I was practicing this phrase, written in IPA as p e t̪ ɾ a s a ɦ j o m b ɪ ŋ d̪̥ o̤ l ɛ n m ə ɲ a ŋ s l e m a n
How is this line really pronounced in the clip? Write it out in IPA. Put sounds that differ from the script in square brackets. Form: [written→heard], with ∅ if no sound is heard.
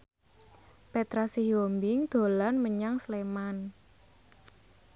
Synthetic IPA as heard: p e t̪ ɾ a s [a→i] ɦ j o m b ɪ ŋ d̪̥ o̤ l [ɛ→a] n m ə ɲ a ŋ s l e m a n